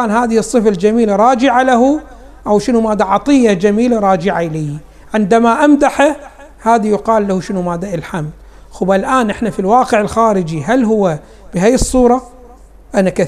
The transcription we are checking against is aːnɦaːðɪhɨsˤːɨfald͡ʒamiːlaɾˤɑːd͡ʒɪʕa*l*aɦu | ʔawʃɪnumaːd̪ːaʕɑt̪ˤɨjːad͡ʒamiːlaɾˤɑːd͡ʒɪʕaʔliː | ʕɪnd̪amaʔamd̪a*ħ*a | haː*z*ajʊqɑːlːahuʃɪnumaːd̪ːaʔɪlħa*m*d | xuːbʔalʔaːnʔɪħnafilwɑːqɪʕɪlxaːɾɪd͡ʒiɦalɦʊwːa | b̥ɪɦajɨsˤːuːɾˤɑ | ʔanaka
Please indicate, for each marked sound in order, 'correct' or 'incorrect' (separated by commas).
correct, correct, incorrect, correct